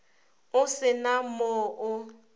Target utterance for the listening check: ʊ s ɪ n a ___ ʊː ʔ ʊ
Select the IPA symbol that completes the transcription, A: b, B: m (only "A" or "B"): B